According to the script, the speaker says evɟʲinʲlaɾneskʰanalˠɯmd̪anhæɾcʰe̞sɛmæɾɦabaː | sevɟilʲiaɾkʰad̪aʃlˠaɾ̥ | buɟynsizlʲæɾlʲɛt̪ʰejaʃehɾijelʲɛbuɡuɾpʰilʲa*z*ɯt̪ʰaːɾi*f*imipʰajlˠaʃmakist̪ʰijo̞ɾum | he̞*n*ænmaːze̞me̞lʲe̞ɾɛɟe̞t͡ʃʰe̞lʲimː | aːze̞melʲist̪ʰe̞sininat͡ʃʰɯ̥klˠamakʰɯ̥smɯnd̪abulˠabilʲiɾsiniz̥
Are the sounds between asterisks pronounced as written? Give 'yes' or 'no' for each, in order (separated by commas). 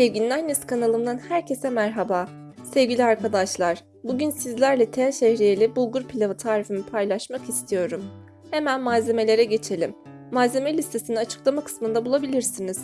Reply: no, yes, no